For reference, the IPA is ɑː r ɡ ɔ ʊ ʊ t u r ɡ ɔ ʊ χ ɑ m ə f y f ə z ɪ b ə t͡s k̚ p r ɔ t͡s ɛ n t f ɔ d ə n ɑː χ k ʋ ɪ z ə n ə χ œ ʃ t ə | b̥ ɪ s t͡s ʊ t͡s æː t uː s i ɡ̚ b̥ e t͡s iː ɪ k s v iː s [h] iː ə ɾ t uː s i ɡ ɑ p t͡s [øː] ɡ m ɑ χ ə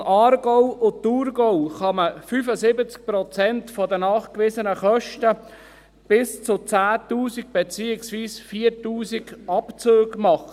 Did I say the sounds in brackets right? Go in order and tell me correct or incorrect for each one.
incorrect: f, correct

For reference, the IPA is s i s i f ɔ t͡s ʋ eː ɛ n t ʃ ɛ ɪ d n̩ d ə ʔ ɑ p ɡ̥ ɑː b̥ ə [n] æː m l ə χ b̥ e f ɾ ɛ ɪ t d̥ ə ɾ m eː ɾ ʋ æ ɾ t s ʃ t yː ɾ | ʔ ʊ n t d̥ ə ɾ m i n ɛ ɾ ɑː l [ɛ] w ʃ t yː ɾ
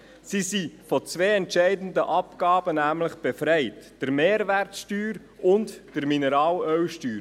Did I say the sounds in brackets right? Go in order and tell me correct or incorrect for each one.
correct, incorrect: œ

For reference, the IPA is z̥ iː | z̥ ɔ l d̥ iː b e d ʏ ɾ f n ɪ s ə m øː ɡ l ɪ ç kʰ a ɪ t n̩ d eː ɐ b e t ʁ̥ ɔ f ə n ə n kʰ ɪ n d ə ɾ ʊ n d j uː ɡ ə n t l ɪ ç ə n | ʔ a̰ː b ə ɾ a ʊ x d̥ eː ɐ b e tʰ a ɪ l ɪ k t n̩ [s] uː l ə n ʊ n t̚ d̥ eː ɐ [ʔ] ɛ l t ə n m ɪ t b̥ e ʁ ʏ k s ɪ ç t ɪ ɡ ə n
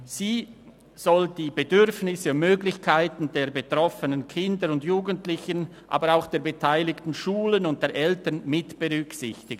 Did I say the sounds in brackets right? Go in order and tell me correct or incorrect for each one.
incorrect: ʃ, correct

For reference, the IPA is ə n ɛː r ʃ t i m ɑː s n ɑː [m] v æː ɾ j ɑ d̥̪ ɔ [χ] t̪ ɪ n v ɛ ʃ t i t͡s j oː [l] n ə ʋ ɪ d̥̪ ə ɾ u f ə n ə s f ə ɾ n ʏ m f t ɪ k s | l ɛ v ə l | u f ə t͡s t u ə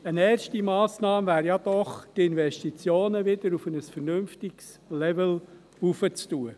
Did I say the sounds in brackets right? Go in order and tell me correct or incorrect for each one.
correct, correct, incorrect: none

